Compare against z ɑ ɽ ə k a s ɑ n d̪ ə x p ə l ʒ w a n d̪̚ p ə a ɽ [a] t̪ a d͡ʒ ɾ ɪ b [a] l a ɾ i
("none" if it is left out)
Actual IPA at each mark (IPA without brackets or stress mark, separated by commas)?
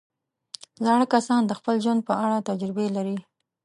a, e